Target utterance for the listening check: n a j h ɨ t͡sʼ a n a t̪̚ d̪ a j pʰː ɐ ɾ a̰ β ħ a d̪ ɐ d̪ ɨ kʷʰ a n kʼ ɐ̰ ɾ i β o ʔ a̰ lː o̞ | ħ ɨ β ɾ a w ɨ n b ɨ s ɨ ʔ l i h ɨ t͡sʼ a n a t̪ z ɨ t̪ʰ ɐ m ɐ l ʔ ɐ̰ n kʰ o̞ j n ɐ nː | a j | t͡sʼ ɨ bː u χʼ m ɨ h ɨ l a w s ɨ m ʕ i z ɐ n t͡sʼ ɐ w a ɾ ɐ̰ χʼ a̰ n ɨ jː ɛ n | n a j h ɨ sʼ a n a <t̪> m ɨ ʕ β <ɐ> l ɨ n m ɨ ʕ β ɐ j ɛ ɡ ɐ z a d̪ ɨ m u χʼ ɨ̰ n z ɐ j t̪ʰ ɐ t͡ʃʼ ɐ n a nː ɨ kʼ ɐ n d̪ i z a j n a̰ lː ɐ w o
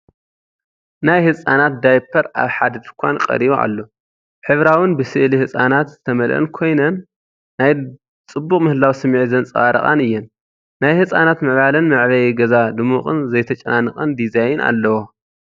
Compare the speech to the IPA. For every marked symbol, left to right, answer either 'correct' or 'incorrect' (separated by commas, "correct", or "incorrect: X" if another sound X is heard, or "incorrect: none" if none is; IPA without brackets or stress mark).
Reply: correct, incorrect: a